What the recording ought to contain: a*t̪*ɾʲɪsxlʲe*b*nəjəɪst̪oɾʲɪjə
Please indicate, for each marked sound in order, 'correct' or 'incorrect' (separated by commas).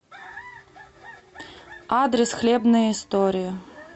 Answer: incorrect, correct